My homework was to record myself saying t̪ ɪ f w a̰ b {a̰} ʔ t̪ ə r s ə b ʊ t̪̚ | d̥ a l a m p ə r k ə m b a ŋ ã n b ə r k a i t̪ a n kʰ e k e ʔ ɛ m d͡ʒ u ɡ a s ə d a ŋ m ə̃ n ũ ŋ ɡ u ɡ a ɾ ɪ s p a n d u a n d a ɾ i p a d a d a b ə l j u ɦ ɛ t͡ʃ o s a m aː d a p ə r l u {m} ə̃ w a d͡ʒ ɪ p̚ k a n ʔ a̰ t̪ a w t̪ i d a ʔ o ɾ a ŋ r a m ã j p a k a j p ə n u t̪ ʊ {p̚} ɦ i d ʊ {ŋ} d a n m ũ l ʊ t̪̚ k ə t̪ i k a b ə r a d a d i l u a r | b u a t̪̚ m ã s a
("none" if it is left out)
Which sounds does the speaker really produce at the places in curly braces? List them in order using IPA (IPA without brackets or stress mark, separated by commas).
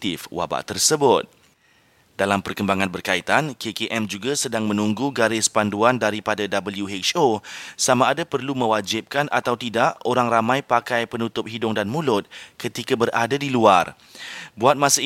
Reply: a̰, m, p̚, ŋ